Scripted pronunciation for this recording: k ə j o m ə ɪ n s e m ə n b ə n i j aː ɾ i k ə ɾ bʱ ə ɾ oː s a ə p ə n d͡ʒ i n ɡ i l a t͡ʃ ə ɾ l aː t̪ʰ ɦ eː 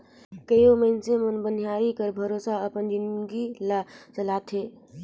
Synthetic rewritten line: k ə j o m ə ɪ n s e m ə n b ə n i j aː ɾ i k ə ɾ bʱ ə ɾ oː s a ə p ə n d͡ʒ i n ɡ i l a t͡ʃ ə l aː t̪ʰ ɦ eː